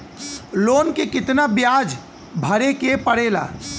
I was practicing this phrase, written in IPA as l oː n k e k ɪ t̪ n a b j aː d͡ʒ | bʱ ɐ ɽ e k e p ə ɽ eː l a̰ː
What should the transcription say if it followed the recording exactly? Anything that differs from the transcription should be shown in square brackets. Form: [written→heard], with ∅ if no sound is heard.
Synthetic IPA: l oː n k e k ɪ t̪ n a b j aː d͡ʒ | bʱ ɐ [ɽ→ɾ] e k e p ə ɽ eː l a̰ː